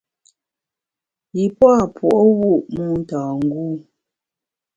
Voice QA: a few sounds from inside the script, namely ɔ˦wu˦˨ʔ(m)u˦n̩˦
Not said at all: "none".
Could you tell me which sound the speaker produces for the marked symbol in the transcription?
m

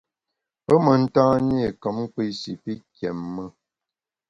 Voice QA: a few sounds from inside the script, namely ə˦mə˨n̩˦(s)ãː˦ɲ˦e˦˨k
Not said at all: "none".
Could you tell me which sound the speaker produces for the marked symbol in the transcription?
t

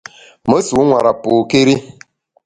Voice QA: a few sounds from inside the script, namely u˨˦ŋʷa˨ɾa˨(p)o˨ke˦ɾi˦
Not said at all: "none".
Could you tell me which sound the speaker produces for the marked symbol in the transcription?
p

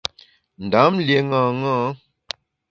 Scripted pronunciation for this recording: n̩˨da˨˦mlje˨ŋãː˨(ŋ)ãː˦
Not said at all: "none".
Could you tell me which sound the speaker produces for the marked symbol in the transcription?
ŋ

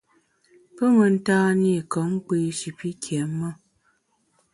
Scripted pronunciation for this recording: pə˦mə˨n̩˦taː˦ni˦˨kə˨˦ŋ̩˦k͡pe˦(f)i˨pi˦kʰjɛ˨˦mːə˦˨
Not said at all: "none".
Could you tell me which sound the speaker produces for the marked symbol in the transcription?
ʃ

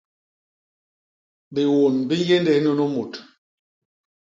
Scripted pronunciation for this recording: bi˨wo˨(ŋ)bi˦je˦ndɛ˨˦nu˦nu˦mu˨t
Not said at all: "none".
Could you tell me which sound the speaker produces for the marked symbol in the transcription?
n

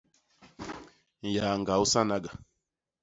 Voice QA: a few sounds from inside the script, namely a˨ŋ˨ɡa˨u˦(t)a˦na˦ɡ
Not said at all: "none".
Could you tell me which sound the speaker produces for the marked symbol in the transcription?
s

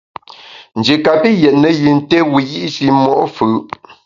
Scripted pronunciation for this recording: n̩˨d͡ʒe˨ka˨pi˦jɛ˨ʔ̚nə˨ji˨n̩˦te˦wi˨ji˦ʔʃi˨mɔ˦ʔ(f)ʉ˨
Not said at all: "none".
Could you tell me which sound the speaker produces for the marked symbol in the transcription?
f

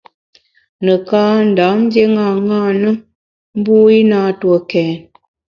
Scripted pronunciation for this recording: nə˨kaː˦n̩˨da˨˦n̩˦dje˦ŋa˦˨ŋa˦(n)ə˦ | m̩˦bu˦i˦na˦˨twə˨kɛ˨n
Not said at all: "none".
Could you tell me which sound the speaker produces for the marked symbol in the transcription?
n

